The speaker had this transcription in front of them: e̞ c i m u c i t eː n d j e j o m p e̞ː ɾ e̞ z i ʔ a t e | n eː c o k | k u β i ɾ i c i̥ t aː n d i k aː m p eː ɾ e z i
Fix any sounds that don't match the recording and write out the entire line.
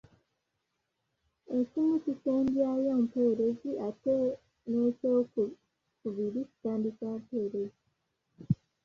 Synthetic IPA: e̞ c i m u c i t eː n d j a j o m p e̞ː ɾ e̞ z i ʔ a t e | n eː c o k | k u β i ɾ i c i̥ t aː n d i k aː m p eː ɾ e z i